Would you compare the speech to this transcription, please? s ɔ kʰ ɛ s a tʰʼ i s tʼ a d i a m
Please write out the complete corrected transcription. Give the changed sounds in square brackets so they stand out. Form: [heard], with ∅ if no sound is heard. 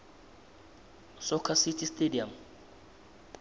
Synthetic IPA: s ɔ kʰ [a] s [i] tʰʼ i s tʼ [e] d i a m